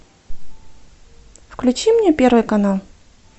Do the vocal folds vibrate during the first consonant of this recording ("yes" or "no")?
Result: no